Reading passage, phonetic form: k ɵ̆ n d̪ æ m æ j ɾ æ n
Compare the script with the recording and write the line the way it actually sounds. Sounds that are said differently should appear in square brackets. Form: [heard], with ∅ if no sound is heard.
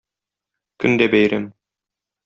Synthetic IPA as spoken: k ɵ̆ n d̪ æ [b] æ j ɾ æ [m]